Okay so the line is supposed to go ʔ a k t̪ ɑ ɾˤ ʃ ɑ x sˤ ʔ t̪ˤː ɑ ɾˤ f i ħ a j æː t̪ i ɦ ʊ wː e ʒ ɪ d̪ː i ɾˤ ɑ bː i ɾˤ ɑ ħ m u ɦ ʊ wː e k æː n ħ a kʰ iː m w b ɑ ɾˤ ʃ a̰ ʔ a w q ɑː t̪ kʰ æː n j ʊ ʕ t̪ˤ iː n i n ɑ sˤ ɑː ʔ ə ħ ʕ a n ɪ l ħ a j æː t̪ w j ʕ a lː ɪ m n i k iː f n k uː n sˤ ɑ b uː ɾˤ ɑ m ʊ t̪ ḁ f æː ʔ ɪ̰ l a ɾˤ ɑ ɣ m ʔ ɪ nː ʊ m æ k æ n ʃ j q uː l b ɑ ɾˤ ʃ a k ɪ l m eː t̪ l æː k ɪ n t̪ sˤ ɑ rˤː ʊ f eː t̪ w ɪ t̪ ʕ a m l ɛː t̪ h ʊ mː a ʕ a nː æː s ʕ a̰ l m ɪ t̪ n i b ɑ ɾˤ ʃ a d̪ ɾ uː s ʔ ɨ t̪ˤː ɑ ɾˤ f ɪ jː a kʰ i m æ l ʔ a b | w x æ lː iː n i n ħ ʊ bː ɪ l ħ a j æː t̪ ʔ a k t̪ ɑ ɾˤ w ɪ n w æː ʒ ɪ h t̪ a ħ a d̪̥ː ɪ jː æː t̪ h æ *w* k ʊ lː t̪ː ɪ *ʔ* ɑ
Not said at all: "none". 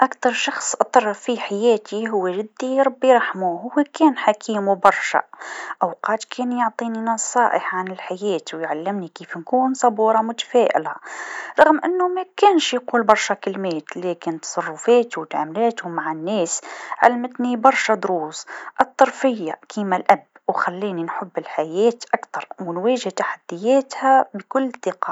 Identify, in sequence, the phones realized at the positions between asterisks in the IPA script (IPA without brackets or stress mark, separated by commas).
b, q